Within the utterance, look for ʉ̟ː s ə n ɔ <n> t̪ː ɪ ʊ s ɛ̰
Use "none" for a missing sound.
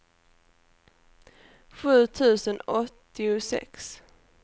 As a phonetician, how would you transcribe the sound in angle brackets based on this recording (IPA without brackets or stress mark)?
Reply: none